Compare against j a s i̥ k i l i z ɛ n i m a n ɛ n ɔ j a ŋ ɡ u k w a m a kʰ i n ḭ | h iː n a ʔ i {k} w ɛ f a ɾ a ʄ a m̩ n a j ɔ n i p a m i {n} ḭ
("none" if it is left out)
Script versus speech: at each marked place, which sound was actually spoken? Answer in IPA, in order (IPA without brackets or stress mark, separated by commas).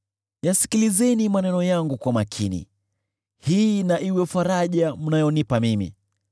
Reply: none, m